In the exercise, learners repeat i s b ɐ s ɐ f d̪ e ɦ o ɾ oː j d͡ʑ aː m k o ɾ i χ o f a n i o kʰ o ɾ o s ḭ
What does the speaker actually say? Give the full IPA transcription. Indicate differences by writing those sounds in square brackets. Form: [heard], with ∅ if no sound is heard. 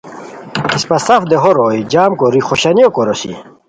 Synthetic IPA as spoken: i s [p] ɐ s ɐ f d̪ e ɦ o ɾ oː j d͡ʑ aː m k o ɾ i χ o [ɕ] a n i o [k] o ɾ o s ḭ